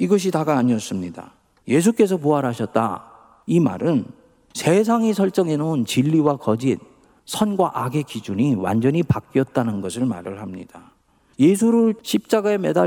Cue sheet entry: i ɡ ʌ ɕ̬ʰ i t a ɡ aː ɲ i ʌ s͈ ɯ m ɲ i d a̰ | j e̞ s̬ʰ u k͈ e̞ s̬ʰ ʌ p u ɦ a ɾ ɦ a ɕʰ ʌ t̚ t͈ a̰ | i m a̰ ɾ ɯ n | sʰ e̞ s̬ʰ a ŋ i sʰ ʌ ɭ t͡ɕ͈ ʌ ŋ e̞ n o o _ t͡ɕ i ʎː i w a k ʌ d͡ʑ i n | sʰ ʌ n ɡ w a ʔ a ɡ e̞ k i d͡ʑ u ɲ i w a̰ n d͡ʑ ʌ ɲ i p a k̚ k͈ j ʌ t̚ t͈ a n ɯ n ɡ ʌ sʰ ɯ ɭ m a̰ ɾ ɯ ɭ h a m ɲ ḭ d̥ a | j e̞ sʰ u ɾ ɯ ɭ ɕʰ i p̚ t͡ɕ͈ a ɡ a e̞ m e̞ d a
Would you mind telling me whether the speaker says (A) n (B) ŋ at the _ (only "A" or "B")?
A